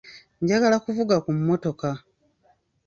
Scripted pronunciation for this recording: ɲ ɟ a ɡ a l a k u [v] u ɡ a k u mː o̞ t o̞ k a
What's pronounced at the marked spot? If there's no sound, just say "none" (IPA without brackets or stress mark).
v